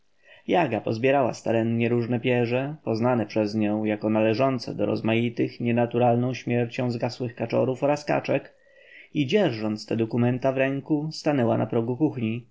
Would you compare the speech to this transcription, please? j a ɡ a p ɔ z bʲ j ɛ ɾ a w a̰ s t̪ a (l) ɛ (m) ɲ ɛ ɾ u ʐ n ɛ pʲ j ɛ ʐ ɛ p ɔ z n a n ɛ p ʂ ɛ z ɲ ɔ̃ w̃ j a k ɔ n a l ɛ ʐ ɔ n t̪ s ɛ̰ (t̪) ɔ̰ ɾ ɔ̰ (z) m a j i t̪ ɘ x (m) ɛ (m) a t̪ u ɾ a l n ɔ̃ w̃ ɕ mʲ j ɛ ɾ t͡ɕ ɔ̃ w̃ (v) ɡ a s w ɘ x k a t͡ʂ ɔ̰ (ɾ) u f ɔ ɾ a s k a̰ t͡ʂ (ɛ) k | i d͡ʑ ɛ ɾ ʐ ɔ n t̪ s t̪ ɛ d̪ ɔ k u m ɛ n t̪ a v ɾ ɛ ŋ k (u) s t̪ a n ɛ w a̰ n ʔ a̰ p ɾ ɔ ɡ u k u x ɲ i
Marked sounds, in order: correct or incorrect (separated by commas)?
incorrect, incorrect, incorrect, correct, incorrect, incorrect, incorrect, correct, correct, correct